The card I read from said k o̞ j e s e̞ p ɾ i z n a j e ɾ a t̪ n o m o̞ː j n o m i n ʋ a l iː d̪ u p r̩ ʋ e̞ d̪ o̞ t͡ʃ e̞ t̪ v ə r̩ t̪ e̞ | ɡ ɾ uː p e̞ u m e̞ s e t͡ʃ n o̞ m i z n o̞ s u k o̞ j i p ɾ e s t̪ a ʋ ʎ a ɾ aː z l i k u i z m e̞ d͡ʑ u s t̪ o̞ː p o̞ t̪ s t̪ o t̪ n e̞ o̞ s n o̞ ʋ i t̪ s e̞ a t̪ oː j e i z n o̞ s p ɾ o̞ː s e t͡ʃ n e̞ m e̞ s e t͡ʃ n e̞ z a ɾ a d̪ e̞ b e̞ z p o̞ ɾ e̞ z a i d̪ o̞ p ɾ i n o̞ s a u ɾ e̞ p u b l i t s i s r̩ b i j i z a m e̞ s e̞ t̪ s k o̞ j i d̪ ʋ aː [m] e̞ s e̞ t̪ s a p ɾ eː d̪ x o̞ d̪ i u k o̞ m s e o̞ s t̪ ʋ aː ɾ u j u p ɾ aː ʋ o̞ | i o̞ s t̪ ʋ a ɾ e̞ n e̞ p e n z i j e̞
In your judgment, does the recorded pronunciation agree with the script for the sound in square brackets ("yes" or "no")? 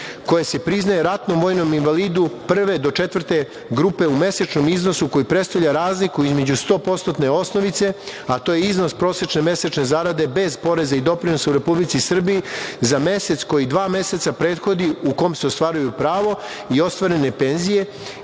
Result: yes